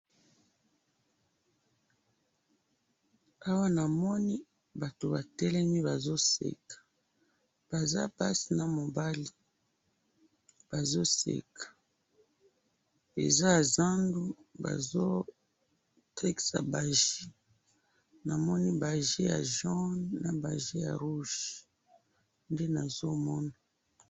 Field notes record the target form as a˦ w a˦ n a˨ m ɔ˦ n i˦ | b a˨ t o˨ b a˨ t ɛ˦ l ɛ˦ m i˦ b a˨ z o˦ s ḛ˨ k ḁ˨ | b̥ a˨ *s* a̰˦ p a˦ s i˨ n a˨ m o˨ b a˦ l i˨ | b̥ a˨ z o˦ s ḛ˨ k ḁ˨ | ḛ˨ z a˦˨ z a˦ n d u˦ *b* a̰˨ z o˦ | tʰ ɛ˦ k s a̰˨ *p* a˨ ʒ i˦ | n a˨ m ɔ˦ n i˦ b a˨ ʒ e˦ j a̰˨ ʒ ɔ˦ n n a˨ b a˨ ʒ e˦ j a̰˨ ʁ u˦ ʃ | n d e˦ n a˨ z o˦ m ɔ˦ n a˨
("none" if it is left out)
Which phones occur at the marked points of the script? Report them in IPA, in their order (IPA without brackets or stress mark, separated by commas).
z, b, b